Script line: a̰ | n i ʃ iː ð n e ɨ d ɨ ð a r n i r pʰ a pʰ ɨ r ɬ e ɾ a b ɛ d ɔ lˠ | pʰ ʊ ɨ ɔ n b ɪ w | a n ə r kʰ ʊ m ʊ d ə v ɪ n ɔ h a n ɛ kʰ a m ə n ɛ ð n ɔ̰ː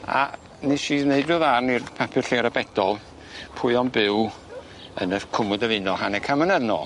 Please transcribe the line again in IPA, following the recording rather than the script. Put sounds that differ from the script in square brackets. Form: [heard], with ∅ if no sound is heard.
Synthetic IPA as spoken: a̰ | n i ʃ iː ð n e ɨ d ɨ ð a r n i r pʰ a pʰ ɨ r ɬ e ɾ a b ɛ d ɔ lˠ | pʰ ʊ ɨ ɔ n b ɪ w | [ə] n ə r kʰ ʊ m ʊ d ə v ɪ n ɔ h a n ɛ kʰ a m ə n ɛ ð n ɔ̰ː